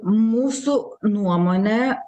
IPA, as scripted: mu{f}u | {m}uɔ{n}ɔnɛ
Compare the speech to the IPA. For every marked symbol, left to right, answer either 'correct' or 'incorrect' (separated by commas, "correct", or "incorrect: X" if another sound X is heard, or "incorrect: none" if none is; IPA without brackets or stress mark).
incorrect: s, incorrect: n, incorrect: m